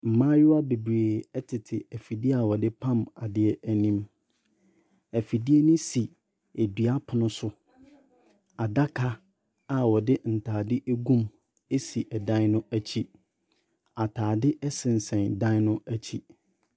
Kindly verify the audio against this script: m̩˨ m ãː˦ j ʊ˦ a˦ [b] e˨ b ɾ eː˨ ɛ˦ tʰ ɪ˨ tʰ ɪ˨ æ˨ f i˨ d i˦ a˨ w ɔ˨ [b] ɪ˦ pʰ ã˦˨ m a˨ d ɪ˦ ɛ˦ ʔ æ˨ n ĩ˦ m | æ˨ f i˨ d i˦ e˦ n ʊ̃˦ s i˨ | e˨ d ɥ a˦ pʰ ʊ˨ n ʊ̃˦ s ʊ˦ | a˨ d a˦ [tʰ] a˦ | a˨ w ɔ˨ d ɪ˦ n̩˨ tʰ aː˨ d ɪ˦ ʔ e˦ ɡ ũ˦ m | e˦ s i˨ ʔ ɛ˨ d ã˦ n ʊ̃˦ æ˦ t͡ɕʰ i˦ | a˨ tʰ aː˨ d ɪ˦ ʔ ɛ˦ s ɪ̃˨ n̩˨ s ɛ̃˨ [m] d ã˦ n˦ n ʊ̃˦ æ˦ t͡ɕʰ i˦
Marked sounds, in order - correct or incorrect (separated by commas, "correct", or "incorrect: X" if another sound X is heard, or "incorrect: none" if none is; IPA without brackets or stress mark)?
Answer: correct, incorrect: d, incorrect: kʰ, incorrect: n